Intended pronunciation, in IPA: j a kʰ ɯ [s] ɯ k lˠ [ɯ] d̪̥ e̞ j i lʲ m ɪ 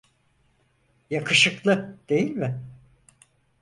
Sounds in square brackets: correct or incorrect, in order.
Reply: incorrect: ʃ, correct

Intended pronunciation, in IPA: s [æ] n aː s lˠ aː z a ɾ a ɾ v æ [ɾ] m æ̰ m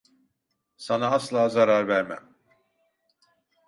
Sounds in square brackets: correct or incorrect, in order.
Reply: incorrect: a, correct

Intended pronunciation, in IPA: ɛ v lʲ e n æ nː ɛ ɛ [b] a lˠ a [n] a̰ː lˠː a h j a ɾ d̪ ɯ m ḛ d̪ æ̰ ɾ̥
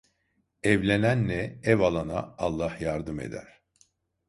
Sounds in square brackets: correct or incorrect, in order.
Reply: incorrect: v, correct

